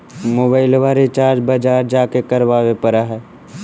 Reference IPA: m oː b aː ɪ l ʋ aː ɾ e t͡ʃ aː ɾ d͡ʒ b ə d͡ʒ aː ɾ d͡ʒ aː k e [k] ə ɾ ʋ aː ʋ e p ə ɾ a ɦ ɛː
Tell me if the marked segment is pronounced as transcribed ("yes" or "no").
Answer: yes